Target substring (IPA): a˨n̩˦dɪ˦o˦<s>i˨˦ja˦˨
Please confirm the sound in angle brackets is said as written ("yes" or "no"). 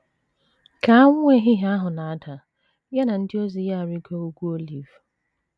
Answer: no